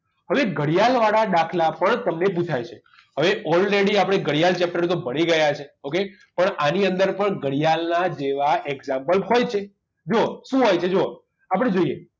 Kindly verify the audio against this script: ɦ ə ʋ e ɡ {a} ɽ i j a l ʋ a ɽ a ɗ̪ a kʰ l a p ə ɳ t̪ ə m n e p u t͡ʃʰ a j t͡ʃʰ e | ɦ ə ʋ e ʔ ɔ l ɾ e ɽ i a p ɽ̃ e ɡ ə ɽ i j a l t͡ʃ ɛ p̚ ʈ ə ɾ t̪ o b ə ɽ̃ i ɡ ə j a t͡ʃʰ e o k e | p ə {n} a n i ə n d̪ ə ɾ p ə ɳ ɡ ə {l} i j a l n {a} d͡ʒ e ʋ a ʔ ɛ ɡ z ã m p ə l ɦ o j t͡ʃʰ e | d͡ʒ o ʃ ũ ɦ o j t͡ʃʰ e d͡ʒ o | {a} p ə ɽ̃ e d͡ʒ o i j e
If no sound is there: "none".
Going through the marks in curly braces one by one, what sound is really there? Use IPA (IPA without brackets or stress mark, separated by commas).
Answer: ə, ɳ, ɽ, a, a